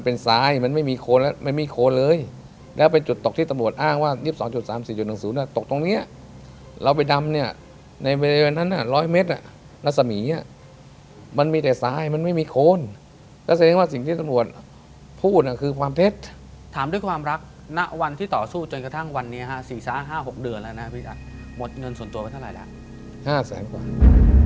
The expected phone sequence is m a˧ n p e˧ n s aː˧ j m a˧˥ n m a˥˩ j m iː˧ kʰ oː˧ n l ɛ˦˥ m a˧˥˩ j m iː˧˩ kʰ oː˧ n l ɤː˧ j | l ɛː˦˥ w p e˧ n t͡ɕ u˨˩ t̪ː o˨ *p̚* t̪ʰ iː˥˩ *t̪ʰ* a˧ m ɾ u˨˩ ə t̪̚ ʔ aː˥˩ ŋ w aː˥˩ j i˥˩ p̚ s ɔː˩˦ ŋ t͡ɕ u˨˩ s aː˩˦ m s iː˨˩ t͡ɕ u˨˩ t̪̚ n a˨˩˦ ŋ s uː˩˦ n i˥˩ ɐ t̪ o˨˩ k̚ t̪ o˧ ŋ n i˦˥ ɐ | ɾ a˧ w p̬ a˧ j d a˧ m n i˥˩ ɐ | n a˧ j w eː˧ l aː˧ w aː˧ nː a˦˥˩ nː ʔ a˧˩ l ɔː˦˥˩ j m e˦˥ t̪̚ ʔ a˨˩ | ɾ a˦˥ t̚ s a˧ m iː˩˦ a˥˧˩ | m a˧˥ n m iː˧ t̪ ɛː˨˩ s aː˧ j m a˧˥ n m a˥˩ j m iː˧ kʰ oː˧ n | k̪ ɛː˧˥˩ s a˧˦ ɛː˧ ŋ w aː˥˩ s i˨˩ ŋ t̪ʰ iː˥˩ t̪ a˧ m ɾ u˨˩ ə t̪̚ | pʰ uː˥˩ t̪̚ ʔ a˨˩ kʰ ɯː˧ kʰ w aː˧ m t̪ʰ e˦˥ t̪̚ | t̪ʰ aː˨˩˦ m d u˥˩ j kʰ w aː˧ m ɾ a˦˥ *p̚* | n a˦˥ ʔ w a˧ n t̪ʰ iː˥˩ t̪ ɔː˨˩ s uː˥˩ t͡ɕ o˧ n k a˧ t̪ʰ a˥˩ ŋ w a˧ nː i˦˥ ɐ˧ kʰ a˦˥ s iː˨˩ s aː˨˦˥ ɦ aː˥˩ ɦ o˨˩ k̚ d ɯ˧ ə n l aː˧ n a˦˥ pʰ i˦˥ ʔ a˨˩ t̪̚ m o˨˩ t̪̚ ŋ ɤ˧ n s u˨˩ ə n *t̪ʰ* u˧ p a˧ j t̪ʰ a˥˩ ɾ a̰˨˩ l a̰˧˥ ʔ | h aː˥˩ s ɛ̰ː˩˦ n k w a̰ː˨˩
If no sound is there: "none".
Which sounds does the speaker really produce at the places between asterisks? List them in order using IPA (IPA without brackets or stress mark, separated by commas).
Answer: k̚, t̪, k̚, t̪